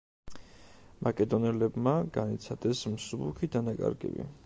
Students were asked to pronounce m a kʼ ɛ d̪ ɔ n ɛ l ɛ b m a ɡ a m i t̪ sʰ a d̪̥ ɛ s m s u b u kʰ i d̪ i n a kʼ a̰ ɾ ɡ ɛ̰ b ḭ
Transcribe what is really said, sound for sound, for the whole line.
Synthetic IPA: m a kʼ ɛ d̪ ɔ n ɛ l ɛ b m a ɡ a n i t̪ sʰ a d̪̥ ɛ s m s u b u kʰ i d̪ a n a kʼ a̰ ɾ ɡ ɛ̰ b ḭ